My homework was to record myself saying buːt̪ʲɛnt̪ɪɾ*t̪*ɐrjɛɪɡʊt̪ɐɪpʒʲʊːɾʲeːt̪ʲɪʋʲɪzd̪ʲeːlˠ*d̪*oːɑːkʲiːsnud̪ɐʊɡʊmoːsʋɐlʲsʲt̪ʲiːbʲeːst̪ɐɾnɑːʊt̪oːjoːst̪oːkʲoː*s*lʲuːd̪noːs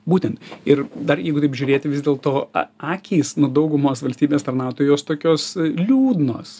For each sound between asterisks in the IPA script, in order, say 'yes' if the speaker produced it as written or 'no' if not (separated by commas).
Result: no, no, yes